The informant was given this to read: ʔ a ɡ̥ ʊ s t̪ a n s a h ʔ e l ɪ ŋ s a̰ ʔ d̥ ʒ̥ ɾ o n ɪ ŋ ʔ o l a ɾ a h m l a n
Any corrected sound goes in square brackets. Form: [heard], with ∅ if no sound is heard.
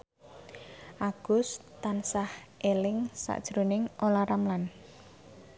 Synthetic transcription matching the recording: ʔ a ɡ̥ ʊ s t̪ a n s a h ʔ e l ɪ ŋ s a̰ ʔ d̥ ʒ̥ ɾ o n ɪ ŋ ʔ o l a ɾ a [∅] m l a n